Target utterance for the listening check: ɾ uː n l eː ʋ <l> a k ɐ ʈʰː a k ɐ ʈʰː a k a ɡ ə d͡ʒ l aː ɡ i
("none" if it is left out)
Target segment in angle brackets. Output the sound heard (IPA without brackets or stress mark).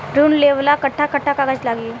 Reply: l